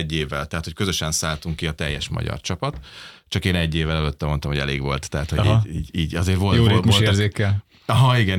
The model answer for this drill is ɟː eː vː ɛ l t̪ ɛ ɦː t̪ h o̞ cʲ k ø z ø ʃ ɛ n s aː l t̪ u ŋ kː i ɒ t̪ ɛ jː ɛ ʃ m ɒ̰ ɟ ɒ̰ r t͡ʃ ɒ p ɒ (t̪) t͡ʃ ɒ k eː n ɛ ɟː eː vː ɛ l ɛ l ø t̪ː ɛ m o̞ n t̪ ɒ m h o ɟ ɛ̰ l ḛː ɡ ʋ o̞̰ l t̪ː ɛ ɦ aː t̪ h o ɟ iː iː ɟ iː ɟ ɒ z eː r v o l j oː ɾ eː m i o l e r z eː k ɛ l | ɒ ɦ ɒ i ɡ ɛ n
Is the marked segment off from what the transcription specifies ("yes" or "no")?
no